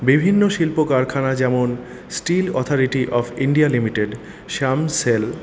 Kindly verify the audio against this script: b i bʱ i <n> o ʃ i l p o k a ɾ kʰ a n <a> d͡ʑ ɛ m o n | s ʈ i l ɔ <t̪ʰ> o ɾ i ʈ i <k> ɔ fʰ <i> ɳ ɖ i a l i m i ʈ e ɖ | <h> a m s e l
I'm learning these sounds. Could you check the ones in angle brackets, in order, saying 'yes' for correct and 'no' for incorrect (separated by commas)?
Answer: no, yes, yes, no, yes, no